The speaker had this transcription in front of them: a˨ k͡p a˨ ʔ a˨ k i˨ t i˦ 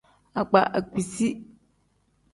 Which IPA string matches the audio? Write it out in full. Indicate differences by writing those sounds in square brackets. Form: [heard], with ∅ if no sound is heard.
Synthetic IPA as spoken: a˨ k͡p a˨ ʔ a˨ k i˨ [s] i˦